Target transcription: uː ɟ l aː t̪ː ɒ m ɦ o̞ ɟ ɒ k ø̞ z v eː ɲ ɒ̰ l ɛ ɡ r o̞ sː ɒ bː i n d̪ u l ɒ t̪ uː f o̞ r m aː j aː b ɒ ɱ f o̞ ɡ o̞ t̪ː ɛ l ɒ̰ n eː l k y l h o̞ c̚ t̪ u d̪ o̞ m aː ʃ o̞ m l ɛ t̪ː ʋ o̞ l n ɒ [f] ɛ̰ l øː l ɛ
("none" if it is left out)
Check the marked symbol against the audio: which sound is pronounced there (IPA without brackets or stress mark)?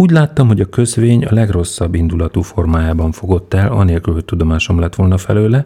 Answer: f